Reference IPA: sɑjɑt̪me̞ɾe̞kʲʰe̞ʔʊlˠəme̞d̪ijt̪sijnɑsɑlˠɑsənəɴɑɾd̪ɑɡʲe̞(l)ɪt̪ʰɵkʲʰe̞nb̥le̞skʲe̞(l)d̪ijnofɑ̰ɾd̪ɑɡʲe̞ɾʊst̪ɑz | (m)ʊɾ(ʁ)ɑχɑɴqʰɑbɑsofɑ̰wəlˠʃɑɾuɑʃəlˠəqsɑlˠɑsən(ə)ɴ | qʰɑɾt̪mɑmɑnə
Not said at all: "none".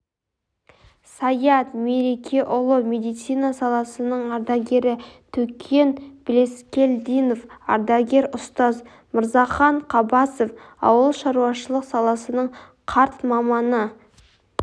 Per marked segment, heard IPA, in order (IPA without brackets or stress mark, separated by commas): ɾ, l, m, z, ə